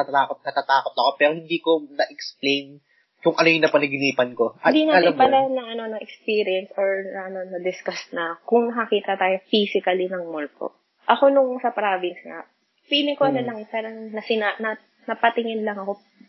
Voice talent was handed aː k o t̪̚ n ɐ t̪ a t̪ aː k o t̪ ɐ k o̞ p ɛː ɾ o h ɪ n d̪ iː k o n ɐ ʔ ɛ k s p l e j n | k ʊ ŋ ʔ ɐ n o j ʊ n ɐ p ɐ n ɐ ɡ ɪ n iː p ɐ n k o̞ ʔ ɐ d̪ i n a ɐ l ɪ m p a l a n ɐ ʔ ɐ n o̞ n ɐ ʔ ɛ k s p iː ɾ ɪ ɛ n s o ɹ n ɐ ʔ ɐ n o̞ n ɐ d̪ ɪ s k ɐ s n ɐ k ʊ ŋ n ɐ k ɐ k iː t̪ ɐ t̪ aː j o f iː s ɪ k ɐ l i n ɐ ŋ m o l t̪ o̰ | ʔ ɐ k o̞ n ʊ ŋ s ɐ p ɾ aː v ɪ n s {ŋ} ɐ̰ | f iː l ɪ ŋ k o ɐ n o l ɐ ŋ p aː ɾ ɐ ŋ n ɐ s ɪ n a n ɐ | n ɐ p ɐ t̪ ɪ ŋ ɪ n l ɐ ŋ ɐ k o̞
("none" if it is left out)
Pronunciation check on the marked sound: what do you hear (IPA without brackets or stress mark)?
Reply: ŋ